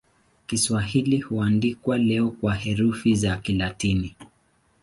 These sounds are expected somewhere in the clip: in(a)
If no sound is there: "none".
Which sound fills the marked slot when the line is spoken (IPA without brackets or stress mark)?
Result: i